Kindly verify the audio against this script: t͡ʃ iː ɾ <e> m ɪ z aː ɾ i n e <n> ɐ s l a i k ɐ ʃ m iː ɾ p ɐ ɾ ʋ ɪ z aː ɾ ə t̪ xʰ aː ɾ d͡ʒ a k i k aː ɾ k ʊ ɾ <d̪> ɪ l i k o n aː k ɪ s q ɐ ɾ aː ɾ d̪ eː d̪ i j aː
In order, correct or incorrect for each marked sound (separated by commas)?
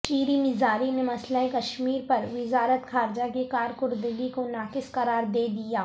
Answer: incorrect, incorrect, correct